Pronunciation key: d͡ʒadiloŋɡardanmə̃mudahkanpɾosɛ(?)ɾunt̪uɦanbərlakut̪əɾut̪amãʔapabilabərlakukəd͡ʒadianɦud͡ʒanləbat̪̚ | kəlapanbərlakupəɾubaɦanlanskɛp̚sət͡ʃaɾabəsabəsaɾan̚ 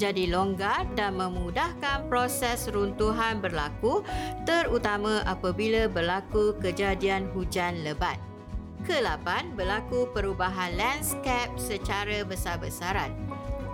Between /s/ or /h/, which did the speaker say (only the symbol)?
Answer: s